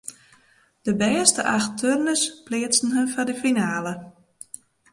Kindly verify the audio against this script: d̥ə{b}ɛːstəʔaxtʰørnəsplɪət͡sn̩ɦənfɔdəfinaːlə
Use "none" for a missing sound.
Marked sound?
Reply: b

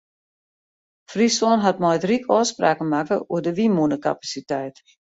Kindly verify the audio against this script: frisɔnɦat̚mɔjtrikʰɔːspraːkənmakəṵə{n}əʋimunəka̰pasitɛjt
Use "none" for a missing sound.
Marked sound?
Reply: d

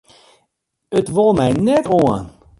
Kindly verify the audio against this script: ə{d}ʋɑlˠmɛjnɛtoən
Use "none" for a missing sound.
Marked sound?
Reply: t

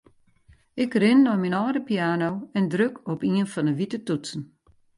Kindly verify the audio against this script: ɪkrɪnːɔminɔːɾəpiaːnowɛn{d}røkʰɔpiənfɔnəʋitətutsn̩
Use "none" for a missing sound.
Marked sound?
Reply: d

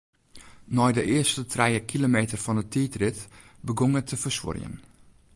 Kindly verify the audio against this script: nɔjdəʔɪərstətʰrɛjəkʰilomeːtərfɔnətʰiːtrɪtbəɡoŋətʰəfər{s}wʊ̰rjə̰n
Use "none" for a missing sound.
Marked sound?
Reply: s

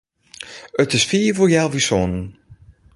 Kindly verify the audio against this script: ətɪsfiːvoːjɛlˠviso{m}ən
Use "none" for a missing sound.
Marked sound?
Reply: n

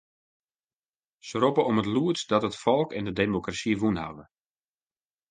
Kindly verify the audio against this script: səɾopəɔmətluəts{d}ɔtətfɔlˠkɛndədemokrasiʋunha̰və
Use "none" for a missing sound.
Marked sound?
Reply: d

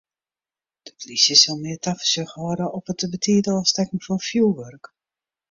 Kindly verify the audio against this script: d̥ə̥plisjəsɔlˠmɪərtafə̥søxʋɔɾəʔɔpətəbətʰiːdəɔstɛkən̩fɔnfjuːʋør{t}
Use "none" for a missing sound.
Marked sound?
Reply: k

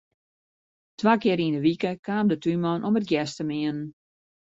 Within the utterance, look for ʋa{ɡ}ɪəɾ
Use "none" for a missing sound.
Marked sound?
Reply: k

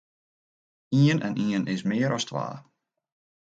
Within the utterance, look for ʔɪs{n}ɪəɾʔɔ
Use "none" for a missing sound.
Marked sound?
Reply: m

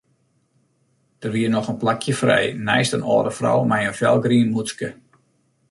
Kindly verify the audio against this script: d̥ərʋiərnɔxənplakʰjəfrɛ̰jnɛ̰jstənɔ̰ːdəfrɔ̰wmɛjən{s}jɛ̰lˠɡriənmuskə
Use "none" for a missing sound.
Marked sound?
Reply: f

